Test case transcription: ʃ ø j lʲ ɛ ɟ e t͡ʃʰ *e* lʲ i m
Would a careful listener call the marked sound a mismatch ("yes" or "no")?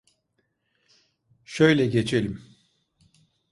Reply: no